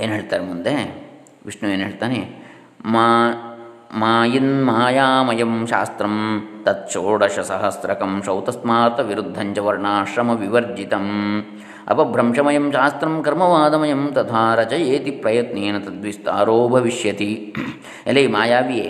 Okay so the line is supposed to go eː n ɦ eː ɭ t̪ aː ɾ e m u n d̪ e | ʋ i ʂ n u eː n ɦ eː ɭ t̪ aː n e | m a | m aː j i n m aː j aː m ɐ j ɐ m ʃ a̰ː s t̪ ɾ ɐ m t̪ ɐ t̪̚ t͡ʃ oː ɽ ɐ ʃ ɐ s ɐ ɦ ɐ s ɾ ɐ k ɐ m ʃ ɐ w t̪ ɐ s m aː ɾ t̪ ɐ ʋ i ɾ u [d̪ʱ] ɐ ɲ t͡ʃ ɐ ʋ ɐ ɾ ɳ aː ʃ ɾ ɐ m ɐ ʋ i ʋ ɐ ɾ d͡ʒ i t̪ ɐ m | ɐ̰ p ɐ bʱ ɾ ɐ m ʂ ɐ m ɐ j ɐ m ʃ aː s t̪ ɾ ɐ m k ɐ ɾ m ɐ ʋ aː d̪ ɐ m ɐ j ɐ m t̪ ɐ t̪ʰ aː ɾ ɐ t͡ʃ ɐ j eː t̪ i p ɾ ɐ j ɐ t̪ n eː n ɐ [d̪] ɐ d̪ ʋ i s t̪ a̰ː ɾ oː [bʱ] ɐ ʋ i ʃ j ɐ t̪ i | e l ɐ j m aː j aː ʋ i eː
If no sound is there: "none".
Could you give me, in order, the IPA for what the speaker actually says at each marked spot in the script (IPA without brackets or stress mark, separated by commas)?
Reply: d̪ʱː, t̪, bʱ